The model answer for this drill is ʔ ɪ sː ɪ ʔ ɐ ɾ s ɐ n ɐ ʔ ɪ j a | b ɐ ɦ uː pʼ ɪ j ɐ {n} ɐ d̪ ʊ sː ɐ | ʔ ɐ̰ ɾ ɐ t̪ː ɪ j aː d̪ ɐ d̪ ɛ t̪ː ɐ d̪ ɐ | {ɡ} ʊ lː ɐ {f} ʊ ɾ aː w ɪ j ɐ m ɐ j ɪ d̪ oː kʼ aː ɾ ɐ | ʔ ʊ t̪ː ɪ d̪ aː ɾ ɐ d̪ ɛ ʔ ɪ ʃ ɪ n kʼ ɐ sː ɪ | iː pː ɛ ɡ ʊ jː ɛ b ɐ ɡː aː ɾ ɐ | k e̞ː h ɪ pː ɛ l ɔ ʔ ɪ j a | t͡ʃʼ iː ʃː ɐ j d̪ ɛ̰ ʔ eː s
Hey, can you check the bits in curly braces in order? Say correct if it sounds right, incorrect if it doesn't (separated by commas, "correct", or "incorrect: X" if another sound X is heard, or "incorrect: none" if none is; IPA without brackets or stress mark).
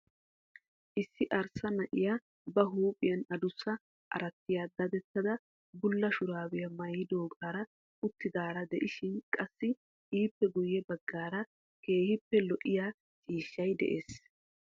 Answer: correct, incorrect: b, incorrect: ʃ